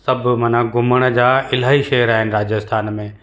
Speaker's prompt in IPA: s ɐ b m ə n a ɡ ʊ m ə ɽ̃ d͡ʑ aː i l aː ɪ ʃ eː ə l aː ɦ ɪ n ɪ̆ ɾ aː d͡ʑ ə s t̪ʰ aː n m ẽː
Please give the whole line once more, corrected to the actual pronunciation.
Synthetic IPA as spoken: s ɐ b m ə n a ɡ ʊ m ə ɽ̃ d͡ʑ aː ɪ l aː i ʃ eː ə ɾ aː ɦ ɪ n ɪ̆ ɾ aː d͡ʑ ə s t̪ʰ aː n m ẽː